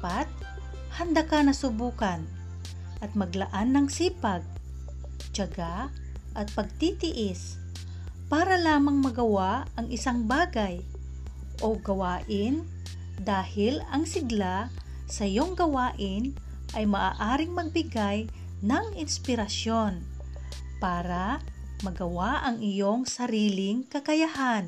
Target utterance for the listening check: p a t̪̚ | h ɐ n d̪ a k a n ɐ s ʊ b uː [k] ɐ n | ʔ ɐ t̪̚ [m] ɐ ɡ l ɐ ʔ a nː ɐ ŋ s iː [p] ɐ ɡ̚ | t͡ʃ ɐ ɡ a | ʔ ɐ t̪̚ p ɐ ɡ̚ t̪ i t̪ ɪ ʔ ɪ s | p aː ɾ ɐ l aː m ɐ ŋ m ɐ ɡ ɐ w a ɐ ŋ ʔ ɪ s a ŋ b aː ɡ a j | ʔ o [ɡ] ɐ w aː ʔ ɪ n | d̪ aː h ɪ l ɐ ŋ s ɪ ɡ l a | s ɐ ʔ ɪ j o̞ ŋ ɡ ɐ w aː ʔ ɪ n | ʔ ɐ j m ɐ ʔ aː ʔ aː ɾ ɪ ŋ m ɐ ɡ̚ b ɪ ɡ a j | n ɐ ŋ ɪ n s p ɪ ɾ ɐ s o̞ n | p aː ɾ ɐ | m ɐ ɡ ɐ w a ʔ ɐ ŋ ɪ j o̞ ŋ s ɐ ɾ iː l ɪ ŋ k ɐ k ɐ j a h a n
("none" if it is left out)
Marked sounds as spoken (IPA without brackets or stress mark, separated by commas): k, m, p, ɡ